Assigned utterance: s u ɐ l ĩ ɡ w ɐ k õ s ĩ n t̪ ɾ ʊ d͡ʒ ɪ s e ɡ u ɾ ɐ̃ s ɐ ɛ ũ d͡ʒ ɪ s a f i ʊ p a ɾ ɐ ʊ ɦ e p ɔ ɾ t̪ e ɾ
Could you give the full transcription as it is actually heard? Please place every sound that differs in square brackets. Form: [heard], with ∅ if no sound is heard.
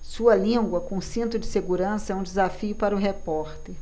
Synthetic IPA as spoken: s u ɐ l ĩ ɡ w ɐ k õ s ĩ n t̪ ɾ ʊ d͡ʒ ɪ s e ɡ u ɾ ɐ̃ s ɐ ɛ ũ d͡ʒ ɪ [z] a f i ʊ p a ɾ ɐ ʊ ɦ e p ɔ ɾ t̪ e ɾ